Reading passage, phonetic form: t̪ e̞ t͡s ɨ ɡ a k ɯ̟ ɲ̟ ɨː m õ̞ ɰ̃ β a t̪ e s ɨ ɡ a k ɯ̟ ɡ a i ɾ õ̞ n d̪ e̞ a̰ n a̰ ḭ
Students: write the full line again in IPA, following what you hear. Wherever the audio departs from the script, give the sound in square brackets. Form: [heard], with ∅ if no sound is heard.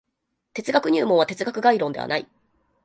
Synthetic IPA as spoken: t̪ e̞ t͡s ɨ ɡ a k ɯ̟ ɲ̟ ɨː m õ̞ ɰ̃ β a t̪ e [t͡s] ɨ ɡ a k ɯ̟ ɡ a i ɾ õ̞ n d̪ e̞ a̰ n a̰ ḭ